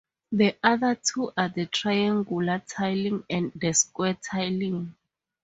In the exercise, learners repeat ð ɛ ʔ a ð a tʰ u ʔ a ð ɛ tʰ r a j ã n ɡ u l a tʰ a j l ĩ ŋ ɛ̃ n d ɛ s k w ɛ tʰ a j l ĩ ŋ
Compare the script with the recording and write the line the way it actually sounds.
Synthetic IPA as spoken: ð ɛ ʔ a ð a tʰ u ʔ a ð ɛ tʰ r a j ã ŋ ɡ u l a tʰ a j l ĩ ŋ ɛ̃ n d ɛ s k w ɛ tʰ a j l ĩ ŋ